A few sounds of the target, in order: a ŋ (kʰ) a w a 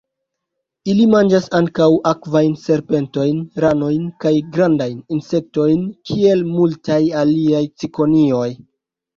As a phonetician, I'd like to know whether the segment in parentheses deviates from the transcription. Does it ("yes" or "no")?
yes